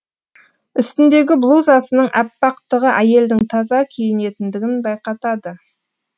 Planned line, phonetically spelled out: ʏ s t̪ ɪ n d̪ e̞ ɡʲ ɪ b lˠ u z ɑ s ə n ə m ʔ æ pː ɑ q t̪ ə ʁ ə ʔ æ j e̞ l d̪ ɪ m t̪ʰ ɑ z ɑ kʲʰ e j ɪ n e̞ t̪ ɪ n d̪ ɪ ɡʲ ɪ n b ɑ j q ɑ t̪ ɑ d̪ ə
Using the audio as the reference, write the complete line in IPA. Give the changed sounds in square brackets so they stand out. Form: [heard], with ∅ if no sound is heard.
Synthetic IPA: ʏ s t̪ ɪ n d̪ e̞ ɡʲ ɪ b lˠ u z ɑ s ə n ə [ɴ] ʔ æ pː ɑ q t̪ ə ʁ ə ʔ æ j e̞ l d̪ ɪ [ŋ] t̪ʰ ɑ z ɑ kʲʰ e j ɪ n e̞ t̪ ɪ n d̪ ɪ ɡʲ ɪ n b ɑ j q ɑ t̪ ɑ d̪ ə